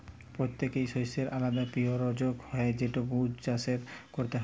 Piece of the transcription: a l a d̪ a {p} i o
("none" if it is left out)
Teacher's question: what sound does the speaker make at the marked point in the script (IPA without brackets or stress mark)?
p